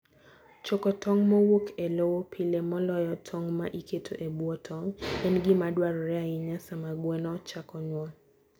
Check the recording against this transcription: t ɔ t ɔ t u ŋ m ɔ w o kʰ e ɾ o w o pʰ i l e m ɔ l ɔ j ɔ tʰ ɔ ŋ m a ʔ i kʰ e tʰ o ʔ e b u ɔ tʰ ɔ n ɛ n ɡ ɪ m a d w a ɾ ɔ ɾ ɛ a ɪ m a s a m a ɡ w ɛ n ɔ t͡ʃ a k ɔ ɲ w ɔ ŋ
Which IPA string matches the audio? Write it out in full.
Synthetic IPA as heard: t͡ʃ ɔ k ɔ t ɔ ŋ m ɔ w o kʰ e l o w o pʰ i l e m ɔ l ɔ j ɔ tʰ ɔ ŋ m a ʔ i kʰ e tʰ o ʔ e b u ɔ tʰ ɔ ŋ ɛ n ɡ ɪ m a d w a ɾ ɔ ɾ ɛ a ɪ ɲ a s a m a ɡ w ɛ n ɔ t͡ʃ a k ɔ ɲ w ɔ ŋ